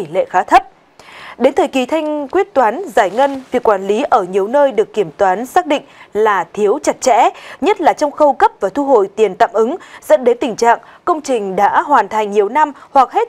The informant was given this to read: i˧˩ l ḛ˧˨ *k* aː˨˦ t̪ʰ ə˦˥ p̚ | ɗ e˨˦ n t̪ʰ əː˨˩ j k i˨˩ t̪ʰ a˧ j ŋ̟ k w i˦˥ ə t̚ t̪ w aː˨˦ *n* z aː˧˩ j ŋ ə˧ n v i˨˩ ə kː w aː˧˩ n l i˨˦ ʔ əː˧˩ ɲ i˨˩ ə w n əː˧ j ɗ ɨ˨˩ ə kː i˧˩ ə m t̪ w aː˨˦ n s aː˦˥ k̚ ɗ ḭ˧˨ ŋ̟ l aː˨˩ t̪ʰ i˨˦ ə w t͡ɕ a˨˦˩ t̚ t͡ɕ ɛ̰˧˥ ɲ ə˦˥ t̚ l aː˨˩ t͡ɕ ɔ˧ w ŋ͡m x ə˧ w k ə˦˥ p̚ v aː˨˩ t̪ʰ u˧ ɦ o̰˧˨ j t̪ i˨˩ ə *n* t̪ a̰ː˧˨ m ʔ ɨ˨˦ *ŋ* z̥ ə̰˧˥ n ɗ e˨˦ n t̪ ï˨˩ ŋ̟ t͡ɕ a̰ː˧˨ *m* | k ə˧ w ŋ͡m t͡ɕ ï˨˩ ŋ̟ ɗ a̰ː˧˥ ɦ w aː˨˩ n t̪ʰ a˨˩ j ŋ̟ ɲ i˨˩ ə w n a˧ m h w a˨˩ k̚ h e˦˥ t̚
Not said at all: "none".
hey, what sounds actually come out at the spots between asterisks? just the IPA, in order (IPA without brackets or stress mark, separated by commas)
x, n, n, ŋ, ŋ